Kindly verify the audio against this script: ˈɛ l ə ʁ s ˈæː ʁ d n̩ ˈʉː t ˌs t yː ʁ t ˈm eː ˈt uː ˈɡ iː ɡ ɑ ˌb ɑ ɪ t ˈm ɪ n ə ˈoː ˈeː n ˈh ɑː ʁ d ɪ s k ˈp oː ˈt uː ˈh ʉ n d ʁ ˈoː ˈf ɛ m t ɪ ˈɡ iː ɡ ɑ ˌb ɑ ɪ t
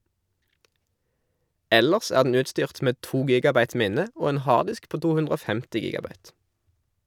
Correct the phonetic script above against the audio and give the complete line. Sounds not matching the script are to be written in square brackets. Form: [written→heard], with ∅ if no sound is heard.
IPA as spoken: ˈɛ l ə ʁ s ˈæː ʁ d n̩ ˈʉː t ˌs t yː ʁ t ˈm eː ˈt uː ˈɡ iː ɡ ɑ ˌb ɑ ɪ t ˈm ɪ n ə ˈoː ˈeː n ˈh ɑː ʁ d ɪ s k ˈp oː ˈt uː ˈh ʉ n d ʁ ˈoː ˈf ɛ m t ɪ ˈɡ iː ɡ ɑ ˌb ɑ ɪ t